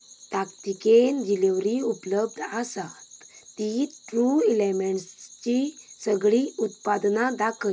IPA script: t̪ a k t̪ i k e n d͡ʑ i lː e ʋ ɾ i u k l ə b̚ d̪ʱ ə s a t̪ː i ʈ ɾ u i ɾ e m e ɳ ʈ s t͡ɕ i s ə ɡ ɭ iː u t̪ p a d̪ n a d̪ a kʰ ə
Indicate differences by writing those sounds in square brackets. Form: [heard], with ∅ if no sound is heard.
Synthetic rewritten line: t̪ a k t̪ i k e n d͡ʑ i [l] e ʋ ɾ i u [p] l ə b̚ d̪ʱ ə s a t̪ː i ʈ ɾ u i [l] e m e ɳ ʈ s t͡ɕ i s ə ɡ ɭ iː u t̪ p a d̪ n a d̪ a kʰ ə